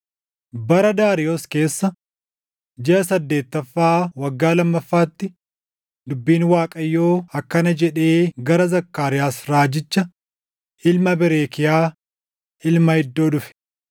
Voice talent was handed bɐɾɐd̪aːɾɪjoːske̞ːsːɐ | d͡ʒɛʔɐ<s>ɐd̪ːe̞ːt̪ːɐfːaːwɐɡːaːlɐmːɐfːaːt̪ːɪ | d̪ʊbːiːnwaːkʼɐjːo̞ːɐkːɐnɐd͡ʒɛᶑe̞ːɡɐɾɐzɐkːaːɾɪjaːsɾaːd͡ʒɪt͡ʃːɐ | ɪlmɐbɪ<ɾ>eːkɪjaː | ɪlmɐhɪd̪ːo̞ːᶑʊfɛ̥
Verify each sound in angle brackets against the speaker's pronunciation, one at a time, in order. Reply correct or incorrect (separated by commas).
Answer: correct, correct